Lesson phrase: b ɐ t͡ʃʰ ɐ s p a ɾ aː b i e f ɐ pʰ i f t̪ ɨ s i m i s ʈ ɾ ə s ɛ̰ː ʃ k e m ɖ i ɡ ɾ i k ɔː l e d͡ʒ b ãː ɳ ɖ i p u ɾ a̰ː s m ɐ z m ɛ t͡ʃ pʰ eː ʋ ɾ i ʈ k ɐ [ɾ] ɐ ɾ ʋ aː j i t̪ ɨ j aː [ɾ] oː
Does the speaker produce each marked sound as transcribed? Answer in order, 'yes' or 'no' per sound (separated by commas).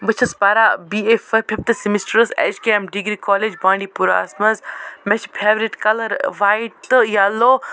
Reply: no, no